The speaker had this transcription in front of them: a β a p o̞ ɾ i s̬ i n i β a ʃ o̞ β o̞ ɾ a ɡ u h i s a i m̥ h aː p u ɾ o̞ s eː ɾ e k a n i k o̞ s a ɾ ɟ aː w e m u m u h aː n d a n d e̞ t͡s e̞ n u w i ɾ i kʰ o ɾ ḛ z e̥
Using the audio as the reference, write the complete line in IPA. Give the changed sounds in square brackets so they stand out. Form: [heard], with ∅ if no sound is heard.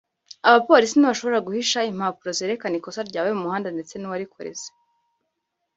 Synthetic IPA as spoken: a β a p o̞ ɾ i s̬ i n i β a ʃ o̞ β o̞ ɾ a ɡ u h i [ʃ] a i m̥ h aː p u ɾ o̞ [z] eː ɾ e k a n i k o̞ s a ɾ ɟ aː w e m u m u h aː n d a n d e̞ t͡s e̞ n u w [a] ɾ i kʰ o ɾ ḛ z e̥